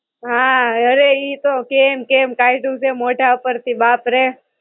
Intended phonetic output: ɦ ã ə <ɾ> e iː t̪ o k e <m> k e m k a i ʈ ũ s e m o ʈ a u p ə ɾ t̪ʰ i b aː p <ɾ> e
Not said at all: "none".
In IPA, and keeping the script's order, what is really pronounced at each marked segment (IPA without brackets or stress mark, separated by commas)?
ɾ, m, ɾ